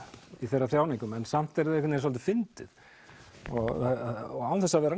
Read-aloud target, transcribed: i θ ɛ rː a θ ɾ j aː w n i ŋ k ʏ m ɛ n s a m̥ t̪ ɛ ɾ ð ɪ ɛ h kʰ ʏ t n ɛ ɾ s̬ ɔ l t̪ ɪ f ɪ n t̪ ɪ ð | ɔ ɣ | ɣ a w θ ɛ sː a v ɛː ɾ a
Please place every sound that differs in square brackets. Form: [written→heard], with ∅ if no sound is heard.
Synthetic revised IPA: i θ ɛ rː a θ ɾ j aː w n i ŋ k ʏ m ɛ n s a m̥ t̪ ɛ ɾ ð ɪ ɛ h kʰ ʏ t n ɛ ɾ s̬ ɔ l t̪ ɪ f ɪ n t̪ ɪ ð | ɔ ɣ | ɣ a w θ ɛ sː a v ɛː ɾ a